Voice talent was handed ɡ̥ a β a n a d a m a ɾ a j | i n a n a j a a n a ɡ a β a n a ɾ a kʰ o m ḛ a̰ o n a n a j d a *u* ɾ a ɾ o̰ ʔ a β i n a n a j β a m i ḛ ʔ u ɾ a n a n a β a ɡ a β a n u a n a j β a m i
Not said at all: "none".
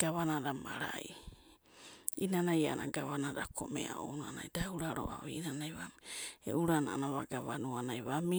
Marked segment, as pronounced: u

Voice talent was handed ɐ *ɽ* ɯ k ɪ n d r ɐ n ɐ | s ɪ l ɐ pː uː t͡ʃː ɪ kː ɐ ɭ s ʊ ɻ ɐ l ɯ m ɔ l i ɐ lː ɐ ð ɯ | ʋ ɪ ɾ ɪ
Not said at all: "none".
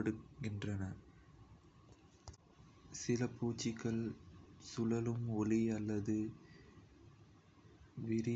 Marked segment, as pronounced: ɽ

